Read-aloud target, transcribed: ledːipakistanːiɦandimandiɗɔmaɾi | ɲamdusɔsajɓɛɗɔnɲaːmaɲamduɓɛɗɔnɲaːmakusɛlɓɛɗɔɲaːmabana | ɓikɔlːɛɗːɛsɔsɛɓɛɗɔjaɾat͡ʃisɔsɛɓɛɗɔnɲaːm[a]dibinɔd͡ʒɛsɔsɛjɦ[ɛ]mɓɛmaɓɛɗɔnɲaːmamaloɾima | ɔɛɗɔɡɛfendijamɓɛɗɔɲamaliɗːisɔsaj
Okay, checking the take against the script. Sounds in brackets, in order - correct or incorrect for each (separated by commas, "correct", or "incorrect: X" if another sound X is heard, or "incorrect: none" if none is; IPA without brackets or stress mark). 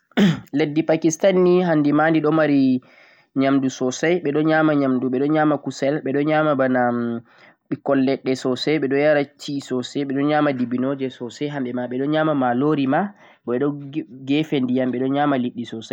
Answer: correct, incorrect: a